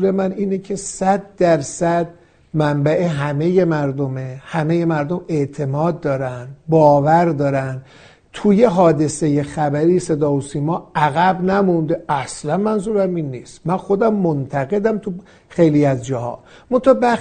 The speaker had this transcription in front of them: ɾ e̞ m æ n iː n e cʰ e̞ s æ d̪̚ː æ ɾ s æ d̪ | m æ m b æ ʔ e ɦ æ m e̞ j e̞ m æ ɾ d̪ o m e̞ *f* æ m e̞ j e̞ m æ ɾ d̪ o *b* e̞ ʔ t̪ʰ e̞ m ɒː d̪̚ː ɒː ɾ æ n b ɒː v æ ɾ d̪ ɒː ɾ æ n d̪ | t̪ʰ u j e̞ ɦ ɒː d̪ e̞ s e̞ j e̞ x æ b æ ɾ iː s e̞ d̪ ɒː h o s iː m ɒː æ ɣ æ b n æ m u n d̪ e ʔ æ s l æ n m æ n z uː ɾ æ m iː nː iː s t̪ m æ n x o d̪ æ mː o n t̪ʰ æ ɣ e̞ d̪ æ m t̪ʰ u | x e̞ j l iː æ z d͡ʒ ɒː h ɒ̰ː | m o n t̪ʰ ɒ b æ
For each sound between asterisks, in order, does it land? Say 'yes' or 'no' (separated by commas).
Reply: no, no